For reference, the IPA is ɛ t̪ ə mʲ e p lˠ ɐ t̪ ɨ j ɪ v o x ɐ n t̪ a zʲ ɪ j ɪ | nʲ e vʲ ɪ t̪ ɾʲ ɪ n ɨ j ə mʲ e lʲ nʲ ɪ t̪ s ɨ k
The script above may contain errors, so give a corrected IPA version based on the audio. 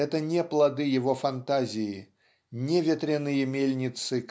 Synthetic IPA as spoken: ɛ t̪ ə nʲ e p lˠ ɐ d̪ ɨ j ɪ v o f ɐ n t̪ a zʲ ɪ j ɪ | nʲ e vʲ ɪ t̪ ɾʲ ɪ n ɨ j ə mʲ e lʲ nʲ ɪ t̪ s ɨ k